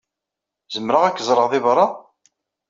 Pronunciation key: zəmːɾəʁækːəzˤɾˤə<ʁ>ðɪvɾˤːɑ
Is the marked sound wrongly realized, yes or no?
no